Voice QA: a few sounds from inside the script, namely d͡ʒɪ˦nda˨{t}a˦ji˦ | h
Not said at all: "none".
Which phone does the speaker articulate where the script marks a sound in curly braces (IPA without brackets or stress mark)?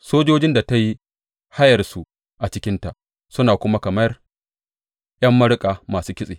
t